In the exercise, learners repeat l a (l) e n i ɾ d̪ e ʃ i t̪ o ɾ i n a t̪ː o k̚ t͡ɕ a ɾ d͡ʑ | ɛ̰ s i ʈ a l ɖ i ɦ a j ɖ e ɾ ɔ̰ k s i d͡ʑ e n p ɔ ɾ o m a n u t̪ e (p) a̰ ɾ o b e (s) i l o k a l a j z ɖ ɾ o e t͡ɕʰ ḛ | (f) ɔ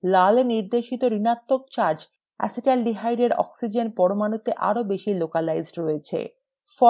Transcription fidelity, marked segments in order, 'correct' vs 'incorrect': correct, incorrect: ʔ, incorrect: ʃ, correct

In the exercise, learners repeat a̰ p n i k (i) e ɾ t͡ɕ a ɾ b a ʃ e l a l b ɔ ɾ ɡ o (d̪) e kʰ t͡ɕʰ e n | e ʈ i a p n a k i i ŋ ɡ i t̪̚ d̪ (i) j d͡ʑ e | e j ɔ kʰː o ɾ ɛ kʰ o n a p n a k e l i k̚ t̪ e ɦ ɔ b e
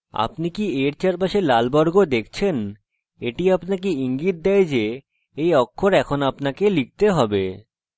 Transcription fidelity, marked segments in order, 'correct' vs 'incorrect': correct, correct, incorrect: ɛ

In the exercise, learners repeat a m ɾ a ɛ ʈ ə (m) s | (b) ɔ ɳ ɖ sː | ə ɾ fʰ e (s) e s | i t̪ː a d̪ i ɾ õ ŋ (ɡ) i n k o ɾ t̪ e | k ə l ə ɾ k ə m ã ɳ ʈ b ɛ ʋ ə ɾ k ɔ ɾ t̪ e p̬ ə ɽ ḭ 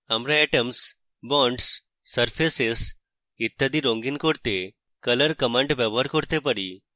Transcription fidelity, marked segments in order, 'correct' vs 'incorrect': correct, correct, correct, correct

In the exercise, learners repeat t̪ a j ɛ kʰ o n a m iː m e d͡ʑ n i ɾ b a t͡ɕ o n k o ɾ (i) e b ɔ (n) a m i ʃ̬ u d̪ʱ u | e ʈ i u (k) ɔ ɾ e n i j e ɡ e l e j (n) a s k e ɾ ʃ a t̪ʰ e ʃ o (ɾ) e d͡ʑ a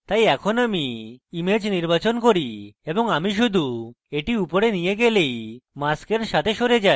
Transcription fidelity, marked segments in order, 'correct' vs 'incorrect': correct, incorrect: ŋ, incorrect: p, incorrect: m, correct

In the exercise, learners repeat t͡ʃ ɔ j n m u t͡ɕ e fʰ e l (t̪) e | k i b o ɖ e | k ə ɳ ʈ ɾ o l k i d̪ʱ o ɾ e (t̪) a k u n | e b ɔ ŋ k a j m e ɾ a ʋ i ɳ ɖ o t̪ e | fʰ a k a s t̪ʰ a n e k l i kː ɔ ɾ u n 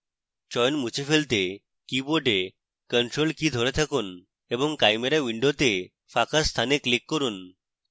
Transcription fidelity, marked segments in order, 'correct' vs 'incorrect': correct, incorrect: t̪ʰ

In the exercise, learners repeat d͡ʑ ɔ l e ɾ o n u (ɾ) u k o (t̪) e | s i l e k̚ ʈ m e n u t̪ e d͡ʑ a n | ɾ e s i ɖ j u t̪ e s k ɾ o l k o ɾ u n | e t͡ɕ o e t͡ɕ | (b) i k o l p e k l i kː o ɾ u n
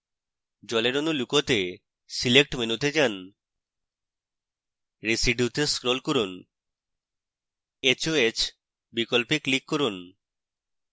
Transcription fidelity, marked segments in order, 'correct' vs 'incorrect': incorrect: l, correct, correct

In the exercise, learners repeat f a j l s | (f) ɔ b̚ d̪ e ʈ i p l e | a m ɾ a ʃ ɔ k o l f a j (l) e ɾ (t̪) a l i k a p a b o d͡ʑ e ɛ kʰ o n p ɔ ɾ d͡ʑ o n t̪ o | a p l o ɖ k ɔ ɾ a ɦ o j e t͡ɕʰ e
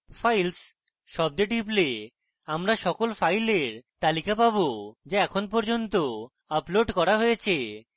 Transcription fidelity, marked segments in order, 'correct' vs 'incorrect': incorrect: ʃ, correct, correct

